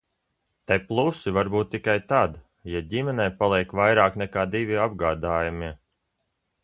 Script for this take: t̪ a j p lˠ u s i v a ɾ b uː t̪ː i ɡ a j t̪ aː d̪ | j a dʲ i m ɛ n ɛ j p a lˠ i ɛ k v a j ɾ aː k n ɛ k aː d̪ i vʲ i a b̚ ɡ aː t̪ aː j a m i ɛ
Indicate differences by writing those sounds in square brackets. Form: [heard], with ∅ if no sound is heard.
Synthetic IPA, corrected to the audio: t̪ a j p lˠ u s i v a ɾ b uː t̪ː i [k] a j t̪ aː d̪ | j a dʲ i m ɛ n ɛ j p a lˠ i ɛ k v a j ɾ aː k n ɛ k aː d̪ i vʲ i a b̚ ɡ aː [d̪] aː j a m i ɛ

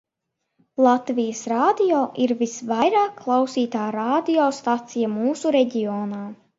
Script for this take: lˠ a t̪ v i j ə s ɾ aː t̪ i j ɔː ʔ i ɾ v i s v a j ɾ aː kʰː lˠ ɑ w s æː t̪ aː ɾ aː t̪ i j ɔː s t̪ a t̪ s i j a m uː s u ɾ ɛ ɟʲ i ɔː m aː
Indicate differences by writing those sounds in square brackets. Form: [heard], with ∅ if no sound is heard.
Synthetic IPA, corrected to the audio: lˠ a t̪ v i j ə s ɾ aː [d̪] i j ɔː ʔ i ɾ v i s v a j ɾ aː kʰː lˠ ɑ w s [iː] t̪ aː ɾ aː [d̪] i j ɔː s t̪ a t̪ s i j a m uː s u ɾ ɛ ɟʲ i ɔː [n] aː

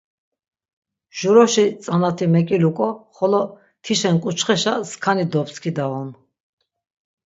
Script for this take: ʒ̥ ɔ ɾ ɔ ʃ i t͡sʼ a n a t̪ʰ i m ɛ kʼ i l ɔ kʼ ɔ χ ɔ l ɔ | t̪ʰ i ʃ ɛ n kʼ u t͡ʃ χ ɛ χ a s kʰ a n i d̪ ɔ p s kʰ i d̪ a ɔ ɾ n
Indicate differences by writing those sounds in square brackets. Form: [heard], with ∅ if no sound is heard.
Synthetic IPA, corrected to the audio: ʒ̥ [u] ɾ ɔ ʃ i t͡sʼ a n a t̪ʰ i m ɛ kʼ i l [u] kʼ ɔ χ ɔ l ɔ | t̪ʰ i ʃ ɛ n kʼ u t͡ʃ χ ɛ [ʃ] a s kʰ a n i d̪ ɔ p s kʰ i d̪ a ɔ [∅] n

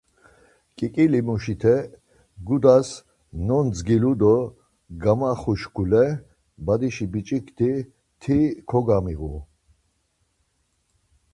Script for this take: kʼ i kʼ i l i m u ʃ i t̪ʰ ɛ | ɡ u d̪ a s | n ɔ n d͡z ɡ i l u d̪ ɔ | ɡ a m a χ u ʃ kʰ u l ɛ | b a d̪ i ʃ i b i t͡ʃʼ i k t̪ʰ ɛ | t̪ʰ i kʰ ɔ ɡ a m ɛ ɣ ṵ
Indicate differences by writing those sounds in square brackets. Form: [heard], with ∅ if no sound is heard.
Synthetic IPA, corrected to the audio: kʼ i kʼ i l i m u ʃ i t̪ʰ ɛ | ɡ u d̪ a s | n ɔ n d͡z ɡ i l u d̪ ɔ | ɡ a m a χ u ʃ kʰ u l ɛ | b a d̪ i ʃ i b i t͡ʃʼ i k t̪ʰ [i] | t̪ʰ i kʰ ɔ ɡ a m [i] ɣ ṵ

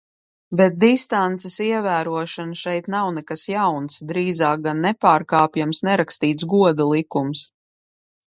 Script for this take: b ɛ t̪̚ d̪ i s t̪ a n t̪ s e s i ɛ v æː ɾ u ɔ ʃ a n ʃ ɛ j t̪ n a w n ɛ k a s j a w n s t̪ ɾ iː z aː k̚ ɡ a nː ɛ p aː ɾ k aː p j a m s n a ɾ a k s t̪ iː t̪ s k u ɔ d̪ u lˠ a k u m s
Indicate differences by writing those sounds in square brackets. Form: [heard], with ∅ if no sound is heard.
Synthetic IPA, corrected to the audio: b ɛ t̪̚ d̪ i s t̪ a n t̪ s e s i ɛ v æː ɾ u ɔ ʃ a n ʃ ɛ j t̪ n a w n ɛ k a s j a w n s [d̪] ɾ iː z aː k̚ ɡ a nː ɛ p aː ɾ k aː p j a m s n [ɛ] ɾ a k s t̪ iː t̪ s [ɡ] u ɔ d̪ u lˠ [i] k u m s

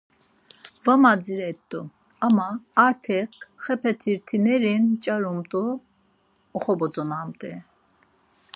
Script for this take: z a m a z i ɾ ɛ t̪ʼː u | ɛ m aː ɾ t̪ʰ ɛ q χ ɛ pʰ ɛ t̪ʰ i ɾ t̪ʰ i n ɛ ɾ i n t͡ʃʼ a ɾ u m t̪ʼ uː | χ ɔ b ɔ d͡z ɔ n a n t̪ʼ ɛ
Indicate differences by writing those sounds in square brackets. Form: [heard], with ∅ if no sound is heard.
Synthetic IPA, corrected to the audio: [v] a m a [d͡z] i ɾ ɛ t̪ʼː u | [a] m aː ɾ t̪ʰ ɛ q χ ɛ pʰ ɛ t̪ʰ i ɾ t̪ʰ i n ɛ ɾ i n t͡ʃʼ a ɾ u m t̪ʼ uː | χ ɔ b ɔ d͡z ɔ n a [m] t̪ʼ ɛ

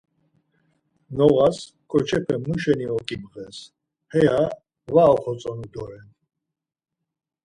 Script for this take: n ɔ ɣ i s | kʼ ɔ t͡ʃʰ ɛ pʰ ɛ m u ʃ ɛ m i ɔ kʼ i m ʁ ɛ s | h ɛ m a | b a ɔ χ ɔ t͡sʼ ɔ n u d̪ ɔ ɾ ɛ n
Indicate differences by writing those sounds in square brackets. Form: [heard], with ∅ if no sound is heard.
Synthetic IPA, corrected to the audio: n ɔ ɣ [a] s | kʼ ɔ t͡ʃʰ ɛ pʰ ɛ m u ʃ ɛ [n] i ɔ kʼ i m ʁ ɛ s | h ɛ [∅] a | [v] a ɔ χ ɔ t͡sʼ ɔ n u d̪ ɔ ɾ ɛ n

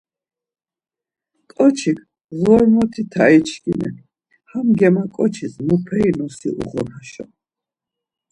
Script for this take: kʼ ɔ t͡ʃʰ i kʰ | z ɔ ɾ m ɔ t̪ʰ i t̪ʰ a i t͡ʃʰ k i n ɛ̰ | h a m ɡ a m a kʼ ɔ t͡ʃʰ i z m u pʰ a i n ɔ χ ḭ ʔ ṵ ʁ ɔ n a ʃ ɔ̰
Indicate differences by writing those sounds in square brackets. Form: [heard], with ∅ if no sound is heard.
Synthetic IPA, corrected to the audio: kʼ ɔ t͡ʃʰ i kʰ | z ɔ ɾ m ɔ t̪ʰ i t̪ʰ a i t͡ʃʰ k i n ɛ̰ | h a m ɡ [ɛ] m a kʼ ɔ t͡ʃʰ i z m u pʰ [ɛ] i n ɔ [s] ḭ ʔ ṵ ʁ ɔ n a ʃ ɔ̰

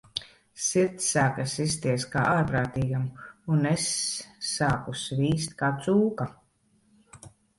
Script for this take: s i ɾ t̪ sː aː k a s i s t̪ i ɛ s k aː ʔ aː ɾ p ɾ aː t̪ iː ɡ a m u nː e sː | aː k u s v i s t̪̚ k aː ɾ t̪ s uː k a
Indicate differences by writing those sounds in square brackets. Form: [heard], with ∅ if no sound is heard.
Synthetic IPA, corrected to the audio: s i ɾ t̪ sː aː k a s i s t̪ i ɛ s k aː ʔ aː ɾ p ɾ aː t̪ iː ɡ a m u [n] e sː | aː k u s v [iː] s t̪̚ k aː [∅] t̪ s uː k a

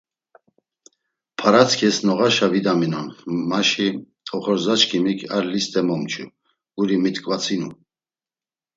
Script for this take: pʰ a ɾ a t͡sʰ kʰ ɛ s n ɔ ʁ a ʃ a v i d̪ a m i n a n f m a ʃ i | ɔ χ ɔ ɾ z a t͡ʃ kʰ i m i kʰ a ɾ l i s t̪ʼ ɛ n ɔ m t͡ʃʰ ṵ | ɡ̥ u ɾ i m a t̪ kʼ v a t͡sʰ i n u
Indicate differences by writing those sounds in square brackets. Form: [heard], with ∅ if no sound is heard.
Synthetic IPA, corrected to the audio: pʰ a ɾ a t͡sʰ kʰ ɛ s n ɔ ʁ a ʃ a v i d̪ a m i n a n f m a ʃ i | ɔ χ ɔ ɾ z a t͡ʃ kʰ i m i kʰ a ɾ l i s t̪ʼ ɛ [m] ɔ m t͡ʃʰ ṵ | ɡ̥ u ɾ i m [i] t̪ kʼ v a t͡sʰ i n u

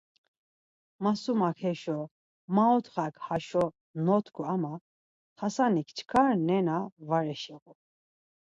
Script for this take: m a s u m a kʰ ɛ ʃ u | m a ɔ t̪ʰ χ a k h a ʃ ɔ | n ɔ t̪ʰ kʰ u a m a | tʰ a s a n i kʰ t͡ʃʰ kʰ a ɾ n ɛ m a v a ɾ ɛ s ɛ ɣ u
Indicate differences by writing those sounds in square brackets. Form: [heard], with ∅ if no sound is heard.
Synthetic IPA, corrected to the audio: m a s u m a kʰ ɛ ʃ [ɔ] | m a ɔ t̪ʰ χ a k h a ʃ ɔ | n ɔ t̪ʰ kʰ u a m a | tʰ a s a n i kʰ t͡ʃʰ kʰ a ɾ n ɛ [n] a v a ɾ ɛ [ʃ] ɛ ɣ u

